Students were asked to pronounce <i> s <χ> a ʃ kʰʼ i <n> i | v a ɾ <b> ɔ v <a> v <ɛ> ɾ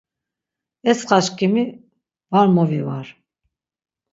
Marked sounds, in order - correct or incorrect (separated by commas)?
incorrect, correct, incorrect, incorrect, incorrect, incorrect